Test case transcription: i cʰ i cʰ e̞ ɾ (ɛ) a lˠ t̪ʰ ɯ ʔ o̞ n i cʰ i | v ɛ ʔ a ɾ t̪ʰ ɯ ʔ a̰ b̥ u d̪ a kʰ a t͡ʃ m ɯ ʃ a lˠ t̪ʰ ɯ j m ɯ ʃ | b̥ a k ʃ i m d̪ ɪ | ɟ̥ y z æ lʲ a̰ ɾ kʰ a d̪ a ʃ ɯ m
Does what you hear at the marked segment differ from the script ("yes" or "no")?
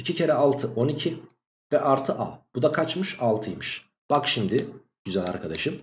no